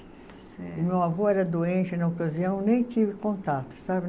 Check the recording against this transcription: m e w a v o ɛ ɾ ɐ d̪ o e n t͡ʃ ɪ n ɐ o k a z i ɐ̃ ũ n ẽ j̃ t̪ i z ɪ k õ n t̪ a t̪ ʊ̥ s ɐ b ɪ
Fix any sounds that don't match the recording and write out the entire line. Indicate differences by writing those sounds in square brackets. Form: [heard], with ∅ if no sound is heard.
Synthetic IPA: m e w a v o ɛ ɾ ɐ d̪ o [ẽ] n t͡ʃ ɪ n ɐ o k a z i ɐ̃ [w̃] n ẽ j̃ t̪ i [v] ɪ k õ n t̪ a t̪ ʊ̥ s [a] b ɪ